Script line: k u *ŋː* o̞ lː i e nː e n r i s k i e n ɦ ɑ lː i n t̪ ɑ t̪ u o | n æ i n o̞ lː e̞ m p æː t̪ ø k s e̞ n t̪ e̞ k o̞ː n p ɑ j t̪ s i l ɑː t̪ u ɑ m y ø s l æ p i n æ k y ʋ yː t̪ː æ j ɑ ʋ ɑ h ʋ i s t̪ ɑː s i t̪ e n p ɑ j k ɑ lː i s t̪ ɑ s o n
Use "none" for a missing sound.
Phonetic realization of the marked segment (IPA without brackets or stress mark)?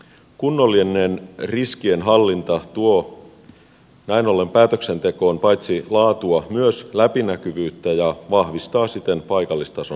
nː